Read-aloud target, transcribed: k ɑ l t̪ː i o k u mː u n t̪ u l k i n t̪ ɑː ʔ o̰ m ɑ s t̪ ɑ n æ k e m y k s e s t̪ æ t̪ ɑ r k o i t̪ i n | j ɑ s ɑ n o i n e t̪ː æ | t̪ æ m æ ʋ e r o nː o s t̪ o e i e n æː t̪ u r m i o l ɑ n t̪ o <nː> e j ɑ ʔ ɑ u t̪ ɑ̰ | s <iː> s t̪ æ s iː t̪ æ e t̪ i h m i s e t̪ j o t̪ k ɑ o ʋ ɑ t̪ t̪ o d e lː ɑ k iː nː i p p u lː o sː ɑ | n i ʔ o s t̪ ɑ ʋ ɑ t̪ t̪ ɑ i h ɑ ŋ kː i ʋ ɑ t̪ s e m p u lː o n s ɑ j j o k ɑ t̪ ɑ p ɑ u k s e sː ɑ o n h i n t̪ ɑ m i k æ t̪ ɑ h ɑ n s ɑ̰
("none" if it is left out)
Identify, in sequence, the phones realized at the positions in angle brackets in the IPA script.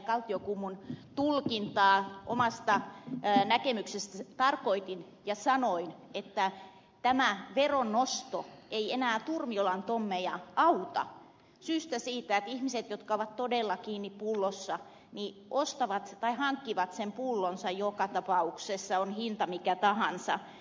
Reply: mː, yː

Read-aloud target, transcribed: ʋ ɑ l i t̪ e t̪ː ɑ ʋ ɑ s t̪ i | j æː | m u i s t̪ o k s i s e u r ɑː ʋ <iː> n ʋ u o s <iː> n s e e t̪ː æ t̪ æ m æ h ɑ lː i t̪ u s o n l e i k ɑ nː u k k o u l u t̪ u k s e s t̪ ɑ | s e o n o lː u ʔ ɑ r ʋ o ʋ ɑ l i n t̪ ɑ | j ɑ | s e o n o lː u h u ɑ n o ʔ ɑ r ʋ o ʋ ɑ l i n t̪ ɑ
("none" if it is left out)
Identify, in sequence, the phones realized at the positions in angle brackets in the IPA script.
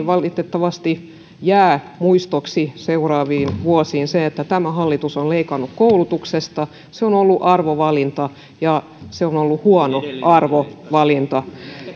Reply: iː, iː

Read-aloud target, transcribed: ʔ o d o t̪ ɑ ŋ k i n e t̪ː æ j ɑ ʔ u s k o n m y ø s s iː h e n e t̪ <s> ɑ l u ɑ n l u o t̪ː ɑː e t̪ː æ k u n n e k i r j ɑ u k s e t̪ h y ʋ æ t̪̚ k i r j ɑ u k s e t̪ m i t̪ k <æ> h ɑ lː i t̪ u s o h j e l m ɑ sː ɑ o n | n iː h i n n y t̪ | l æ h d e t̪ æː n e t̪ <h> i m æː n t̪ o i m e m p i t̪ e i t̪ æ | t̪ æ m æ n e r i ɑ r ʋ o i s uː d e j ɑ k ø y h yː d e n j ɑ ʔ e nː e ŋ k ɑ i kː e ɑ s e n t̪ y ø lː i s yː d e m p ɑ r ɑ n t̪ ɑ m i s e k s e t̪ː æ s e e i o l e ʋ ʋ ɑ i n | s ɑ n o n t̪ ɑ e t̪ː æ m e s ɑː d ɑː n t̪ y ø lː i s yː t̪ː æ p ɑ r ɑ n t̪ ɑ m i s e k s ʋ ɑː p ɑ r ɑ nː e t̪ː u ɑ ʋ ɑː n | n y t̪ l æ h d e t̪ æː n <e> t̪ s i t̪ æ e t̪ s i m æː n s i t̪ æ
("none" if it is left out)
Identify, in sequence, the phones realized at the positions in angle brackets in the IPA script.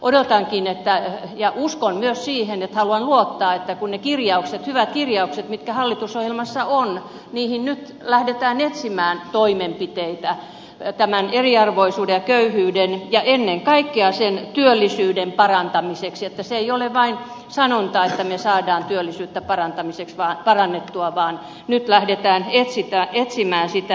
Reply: h, æ, s, e

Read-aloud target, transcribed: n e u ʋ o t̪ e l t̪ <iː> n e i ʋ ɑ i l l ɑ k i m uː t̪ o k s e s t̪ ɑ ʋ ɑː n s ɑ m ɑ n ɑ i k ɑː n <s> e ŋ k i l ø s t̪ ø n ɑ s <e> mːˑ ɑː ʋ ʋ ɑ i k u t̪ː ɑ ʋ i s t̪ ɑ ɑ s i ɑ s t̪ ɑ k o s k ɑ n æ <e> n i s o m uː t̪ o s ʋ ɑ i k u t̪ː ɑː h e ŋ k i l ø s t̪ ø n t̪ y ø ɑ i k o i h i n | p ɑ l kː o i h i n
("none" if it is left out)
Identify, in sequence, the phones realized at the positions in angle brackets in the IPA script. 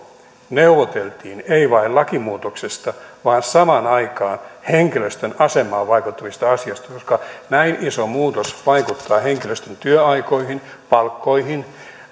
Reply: iː, h, e, i

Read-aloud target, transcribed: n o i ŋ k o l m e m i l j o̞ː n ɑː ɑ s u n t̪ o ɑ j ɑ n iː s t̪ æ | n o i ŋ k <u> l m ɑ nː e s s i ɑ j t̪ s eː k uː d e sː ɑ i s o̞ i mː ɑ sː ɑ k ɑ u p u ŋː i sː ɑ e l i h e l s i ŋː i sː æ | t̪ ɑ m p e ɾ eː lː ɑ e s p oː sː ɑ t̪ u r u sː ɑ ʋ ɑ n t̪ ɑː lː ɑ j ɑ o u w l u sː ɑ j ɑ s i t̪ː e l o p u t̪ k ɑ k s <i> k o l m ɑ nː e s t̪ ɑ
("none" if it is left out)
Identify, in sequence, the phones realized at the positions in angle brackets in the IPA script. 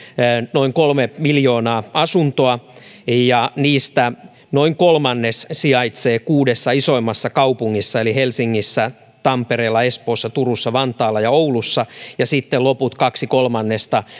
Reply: o, i

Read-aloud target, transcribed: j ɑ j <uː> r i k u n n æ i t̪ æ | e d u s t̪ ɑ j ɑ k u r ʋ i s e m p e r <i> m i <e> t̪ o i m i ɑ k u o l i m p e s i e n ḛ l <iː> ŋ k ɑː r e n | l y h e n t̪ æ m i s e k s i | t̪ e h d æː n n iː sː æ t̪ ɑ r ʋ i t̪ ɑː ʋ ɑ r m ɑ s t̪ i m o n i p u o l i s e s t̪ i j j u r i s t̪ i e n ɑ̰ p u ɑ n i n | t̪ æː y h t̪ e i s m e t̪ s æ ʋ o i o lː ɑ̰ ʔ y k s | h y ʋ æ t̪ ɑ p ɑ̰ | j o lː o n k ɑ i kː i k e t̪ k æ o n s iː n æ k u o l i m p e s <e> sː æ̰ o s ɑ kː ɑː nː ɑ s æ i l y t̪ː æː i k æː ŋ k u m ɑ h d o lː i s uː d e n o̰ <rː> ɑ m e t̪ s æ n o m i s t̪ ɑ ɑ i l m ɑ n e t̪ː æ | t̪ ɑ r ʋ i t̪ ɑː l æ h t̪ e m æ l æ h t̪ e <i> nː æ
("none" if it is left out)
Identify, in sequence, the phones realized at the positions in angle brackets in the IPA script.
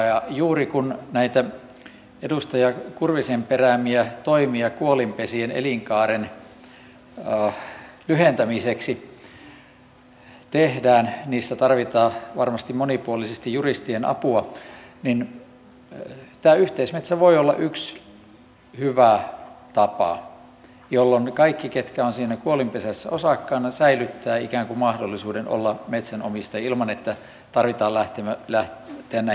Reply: uː, æ, æ, i, æ, lː, æ

